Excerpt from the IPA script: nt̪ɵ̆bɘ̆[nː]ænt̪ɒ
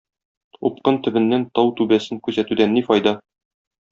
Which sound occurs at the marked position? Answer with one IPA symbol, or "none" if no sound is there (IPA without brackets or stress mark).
nː